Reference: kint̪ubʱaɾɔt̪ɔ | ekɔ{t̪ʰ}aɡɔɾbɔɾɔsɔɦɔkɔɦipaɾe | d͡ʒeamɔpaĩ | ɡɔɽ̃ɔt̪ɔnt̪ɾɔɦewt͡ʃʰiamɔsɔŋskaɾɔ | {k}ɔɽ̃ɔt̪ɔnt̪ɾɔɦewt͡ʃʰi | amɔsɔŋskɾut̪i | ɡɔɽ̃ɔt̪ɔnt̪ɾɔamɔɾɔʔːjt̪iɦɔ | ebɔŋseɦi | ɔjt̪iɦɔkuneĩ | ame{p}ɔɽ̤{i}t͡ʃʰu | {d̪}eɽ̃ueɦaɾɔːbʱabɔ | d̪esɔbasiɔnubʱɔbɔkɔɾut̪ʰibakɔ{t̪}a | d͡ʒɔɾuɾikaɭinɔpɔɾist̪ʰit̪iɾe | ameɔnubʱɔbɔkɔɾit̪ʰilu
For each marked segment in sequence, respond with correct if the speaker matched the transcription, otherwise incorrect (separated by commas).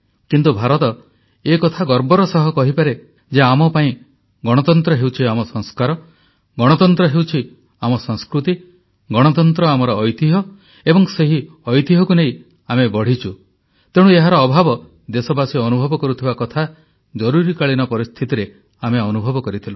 correct, incorrect, incorrect, correct, incorrect, incorrect